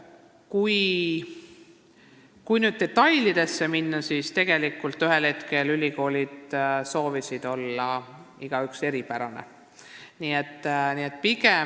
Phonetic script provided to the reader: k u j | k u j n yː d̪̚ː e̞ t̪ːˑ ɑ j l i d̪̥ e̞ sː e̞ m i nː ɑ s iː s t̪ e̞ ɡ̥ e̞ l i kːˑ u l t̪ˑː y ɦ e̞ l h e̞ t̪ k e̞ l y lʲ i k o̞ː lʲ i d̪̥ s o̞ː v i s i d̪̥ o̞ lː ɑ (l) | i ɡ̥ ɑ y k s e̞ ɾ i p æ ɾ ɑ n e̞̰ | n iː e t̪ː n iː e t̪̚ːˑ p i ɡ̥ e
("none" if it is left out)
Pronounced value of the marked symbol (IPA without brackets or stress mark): none